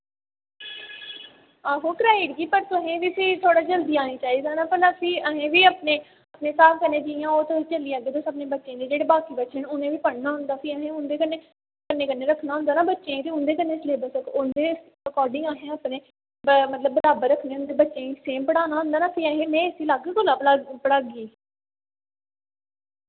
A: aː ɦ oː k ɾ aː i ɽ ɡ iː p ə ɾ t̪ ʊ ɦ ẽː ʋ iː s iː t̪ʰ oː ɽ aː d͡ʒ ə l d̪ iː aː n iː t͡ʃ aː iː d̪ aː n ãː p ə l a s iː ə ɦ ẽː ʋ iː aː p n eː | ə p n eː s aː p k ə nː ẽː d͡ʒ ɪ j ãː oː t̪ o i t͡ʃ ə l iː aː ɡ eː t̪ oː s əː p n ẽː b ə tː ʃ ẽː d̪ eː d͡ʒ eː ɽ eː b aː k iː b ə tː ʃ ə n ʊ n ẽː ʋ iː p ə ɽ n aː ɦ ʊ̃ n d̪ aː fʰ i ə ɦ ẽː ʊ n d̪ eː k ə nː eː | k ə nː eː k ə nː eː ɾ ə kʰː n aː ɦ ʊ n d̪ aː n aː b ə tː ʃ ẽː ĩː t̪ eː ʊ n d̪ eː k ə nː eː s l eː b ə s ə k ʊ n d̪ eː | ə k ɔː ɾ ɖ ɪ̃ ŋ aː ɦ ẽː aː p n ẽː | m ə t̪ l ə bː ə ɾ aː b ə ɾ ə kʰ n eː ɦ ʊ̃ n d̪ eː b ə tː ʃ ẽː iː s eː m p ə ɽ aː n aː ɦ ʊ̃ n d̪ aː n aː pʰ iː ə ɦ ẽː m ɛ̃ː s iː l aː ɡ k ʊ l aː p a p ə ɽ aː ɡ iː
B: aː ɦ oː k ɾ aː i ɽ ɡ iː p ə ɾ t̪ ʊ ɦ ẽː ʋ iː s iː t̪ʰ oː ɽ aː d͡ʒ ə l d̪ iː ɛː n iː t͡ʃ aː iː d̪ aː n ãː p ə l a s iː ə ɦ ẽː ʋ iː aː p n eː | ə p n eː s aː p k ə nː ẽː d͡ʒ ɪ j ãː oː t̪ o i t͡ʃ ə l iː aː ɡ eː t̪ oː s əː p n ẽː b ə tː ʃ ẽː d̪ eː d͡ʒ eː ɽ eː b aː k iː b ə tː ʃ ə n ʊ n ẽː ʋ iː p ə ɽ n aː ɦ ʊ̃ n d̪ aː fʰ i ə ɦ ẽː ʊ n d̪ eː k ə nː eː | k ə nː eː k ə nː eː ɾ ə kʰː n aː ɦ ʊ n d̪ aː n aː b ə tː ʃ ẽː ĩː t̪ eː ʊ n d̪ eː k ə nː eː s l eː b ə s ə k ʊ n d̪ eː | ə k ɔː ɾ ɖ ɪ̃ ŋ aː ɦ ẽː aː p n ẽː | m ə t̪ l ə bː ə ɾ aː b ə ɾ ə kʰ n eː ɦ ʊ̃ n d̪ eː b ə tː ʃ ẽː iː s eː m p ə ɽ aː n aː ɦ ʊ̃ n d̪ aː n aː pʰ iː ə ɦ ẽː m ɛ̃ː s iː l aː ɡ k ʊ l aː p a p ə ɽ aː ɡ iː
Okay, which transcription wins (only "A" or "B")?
A